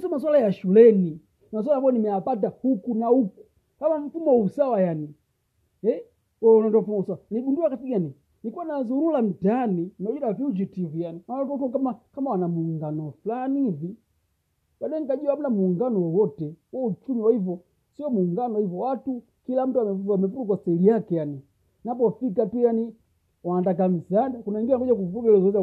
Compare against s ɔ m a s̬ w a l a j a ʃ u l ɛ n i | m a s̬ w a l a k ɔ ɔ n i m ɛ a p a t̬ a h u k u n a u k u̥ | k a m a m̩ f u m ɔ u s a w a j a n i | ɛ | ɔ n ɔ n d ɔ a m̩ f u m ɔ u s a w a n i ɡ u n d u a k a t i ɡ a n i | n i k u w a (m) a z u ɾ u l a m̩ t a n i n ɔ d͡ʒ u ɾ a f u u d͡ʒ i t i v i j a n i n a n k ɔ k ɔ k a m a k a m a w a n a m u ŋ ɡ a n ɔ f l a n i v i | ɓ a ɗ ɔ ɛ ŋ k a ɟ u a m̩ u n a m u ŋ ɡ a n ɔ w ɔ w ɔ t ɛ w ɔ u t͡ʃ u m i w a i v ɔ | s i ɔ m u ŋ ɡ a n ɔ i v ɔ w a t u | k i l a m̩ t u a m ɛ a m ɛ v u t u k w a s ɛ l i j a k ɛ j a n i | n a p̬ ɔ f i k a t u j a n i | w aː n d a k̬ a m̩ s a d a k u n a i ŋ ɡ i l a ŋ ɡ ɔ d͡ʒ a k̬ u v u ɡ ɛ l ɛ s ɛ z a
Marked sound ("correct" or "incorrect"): incorrect